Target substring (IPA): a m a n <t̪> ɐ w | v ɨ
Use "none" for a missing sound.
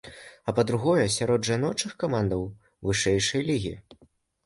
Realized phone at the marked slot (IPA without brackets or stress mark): d̪